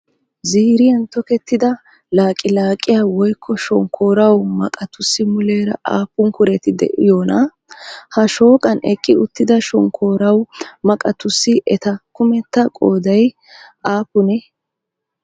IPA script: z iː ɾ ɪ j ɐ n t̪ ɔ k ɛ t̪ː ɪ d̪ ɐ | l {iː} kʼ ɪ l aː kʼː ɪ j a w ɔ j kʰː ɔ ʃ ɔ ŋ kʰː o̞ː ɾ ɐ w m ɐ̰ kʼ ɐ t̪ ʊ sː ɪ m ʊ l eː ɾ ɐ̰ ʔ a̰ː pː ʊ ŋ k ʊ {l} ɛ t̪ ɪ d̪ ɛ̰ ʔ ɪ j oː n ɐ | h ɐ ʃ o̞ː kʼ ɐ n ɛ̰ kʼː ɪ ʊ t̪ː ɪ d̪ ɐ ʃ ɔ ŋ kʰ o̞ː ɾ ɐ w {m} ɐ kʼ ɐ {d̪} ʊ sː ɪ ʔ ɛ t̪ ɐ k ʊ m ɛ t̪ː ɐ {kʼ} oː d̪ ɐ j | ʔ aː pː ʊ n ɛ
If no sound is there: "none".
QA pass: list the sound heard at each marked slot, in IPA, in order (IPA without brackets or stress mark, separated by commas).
aː, ɾ, m, t̪, kʼ